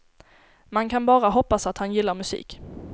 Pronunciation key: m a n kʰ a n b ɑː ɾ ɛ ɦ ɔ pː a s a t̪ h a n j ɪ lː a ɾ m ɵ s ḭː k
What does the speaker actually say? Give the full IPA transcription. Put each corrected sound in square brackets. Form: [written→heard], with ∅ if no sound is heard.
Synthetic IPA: m a n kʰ a n b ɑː ɾ [ɛ→a] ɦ ɔ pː a s a t̪ h a n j ɪ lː a ɾ m ɵ s ḭː k